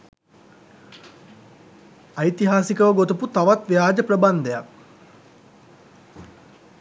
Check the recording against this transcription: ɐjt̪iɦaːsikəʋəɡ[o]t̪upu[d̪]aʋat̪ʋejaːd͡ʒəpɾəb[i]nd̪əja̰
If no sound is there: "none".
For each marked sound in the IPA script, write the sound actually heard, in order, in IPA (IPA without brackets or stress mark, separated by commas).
o, t̪, a